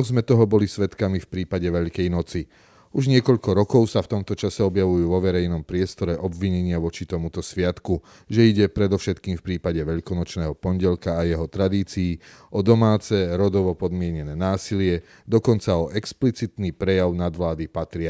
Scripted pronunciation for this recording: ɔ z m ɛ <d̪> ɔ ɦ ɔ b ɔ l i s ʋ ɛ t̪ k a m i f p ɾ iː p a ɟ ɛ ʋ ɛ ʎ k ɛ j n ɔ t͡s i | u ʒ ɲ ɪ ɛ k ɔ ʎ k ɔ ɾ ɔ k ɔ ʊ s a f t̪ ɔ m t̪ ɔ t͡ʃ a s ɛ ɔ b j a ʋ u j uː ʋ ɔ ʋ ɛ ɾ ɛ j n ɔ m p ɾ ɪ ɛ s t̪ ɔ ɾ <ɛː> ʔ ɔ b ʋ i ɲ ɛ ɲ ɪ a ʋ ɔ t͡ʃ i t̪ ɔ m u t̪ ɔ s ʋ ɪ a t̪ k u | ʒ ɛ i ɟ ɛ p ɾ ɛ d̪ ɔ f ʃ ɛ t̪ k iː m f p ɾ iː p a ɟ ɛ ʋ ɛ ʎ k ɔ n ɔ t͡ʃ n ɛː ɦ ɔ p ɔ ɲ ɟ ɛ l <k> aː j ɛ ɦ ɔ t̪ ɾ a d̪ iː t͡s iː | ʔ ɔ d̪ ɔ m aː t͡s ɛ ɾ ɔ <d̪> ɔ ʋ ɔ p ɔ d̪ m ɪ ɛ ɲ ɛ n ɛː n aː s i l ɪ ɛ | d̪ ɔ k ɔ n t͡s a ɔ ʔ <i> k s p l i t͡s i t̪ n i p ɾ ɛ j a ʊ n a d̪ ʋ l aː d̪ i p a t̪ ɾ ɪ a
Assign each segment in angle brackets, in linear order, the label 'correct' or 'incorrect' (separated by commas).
incorrect, incorrect, correct, correct, incorrect